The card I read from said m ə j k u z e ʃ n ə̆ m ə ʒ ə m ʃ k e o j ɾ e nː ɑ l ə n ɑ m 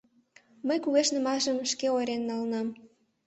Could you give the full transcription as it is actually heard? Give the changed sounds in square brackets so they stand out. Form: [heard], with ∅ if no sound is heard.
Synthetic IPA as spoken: m ə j k u [ɣ] e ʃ n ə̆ m [ɑ] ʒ ə m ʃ k e o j ɾ e nː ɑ l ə n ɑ m